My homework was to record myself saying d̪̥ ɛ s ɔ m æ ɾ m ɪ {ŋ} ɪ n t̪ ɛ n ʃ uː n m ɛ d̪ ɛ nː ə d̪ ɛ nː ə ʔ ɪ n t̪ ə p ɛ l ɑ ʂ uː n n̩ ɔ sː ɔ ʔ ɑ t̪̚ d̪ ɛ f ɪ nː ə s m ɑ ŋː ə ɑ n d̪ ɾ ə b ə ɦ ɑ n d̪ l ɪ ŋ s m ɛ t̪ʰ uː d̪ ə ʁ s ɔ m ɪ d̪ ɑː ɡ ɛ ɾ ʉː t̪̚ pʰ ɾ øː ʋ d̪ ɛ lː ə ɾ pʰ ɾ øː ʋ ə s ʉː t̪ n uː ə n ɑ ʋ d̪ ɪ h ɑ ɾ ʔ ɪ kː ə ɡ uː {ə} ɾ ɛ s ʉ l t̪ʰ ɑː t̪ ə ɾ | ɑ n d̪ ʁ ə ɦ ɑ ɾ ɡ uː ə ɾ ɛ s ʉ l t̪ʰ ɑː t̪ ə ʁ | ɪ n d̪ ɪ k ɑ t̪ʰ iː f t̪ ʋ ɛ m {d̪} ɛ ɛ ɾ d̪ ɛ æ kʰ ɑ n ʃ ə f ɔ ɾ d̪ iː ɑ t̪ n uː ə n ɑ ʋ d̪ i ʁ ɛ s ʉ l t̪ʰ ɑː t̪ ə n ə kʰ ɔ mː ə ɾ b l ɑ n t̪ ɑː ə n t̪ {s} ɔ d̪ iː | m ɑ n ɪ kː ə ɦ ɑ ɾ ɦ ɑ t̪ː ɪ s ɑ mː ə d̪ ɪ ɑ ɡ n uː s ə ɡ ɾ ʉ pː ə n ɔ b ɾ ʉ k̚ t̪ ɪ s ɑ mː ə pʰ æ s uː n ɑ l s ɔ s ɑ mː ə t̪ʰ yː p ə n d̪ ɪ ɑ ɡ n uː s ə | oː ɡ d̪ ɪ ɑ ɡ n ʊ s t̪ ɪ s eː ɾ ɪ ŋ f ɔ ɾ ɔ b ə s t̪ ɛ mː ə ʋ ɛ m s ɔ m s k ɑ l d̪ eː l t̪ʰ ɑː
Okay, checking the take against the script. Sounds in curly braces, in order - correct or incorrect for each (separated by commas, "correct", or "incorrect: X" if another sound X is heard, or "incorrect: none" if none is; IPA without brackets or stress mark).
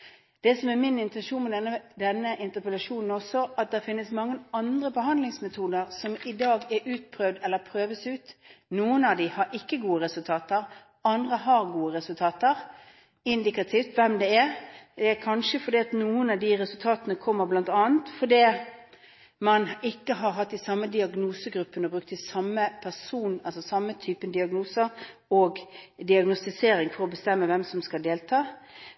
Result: incorrect: n, correct, correct, incorrect: f